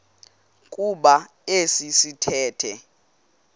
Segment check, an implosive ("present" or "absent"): present